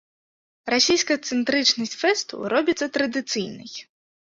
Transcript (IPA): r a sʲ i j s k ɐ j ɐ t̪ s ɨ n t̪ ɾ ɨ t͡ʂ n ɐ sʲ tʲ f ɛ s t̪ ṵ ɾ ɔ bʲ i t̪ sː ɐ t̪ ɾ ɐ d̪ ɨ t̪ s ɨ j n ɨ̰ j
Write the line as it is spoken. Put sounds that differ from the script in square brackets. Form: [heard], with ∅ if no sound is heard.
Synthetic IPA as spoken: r a sʲ i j s k ɐ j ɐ t̪ s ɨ n t̪ ɾ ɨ t͡ʂ n ɐ sʲ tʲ f ɛ s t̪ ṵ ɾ ɔ bʲ i t̪ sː ɐ t̪ ɾ ɐ d̪ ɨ t̪ s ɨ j n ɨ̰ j

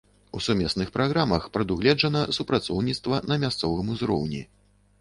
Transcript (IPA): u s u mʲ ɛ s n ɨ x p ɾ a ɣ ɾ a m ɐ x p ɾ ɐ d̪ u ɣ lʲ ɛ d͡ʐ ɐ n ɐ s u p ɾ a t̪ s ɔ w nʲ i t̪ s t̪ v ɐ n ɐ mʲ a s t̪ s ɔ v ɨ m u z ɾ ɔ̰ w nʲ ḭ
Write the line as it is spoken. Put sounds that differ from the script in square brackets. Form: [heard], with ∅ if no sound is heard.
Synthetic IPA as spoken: u s u mʲ ɛ s n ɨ x p ɾ a ɣ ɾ a m ɐ x p ɾ ɐ d̪ u ɣ lʲ ɛ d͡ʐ ɐ n ɐ s u p ɾ a t̪ s ɔ w nʲ i t̪ s t̪ v ɐ n ɐ mʲ a s t̪ s ɔ v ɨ m u z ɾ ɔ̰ w nʲ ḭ

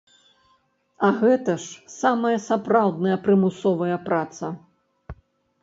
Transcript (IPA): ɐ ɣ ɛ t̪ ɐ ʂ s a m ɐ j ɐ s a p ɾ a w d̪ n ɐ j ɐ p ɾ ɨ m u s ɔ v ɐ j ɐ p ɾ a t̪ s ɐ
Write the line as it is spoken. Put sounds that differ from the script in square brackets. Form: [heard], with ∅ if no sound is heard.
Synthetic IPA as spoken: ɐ ɣ ɛ t̪ ɐ ʂ s a m ɐ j ɐ s a p ɾ a w d̪ n ɐ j ɐ p ɾ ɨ m u s ɔ v ɐ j ɐ p ɾ a t̪ s ɐ

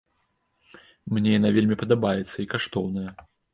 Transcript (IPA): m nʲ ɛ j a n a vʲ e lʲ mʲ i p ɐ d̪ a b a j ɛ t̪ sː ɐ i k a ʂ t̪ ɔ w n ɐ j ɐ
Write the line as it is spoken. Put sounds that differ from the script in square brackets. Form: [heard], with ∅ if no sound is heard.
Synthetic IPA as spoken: m nʲ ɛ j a n a vʲ e lʲ mʲ i p ɐ d̪ a b a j ɛ t̪ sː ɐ i k a ʂ t̪ ɔ w n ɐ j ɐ

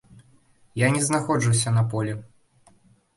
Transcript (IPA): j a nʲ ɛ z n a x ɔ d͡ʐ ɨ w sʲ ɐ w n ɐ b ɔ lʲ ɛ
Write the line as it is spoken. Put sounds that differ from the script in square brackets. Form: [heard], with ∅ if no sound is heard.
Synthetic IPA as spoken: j a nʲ ɛ z n a x ɔ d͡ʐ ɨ w sʲ ɐ [∅] n ɐ [p] ɔ lʲ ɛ

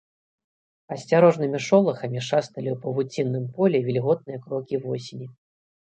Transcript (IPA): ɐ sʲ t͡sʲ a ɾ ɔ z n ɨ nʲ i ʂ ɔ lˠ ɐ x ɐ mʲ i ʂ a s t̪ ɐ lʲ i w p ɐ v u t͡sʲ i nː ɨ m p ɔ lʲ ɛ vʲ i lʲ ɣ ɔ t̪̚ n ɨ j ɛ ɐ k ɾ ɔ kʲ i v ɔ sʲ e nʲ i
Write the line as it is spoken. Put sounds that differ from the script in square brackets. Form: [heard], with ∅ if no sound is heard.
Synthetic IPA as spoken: ɐ sʲ t͡sʲ a ɾ ɔ [ʐ] n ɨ [mʲ] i ʂ ɔ lˠ ɐ x ɐ mʲ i ʂ a s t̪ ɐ lʲ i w p ɐ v u t͡sʲ i nː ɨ m p ɔ lʲ ɛ vʲ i lʲ ɣ ɔ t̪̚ n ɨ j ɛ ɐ k ɾ ɔ kʲ i v ɔ sʲ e nʲ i

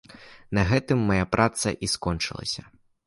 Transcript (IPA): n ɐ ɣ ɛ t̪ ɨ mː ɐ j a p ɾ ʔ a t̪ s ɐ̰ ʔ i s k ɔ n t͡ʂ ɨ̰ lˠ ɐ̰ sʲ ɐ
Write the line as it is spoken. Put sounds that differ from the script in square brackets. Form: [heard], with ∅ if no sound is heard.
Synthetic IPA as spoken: n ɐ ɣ ɛ t̪ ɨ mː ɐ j a p ɾ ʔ a t̪ s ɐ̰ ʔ i s k ɔ n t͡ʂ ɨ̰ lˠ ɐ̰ sʲ ɐ

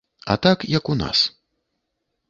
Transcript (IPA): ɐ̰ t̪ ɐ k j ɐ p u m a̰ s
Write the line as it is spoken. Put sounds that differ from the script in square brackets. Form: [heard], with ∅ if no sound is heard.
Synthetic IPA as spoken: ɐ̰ t̪ [a] k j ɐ [k] u [n] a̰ s

